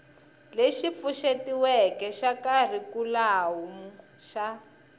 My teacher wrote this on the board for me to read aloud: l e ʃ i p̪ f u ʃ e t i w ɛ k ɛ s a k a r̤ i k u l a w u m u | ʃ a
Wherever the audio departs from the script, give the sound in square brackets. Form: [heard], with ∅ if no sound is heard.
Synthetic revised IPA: l e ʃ i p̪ f u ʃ e t i w ɛ k ɛ [ʃ] a k a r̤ i k u l a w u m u | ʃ a